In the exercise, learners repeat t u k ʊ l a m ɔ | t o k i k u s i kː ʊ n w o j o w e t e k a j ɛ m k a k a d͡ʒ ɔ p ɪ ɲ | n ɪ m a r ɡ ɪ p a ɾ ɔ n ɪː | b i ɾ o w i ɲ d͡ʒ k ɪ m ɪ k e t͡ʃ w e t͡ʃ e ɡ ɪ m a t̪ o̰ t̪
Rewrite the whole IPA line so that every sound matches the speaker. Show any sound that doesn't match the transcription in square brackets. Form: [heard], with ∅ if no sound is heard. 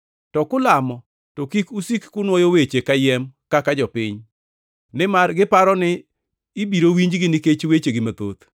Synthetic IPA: t [ɔ] k ʊ l a m ɔ | t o k i k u s i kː ʊ n w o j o w e [t͡ʃ] e k a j ɛ m k a k a d͡ʒ ɔ p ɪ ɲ | n ɪ m a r ɡ ɪ p a ɾ ɔ n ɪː | b i ɾ o w i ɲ d͡ʒ [ɡ] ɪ [n] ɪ k e t͡ʃ w e t͡ʃ e ɡ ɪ m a t̪ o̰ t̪